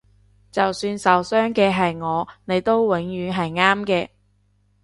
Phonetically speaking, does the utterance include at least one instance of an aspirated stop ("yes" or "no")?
no